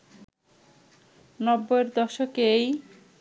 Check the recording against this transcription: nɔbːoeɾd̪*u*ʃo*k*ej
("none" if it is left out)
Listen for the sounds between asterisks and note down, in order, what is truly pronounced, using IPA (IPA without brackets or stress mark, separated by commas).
ɔ, k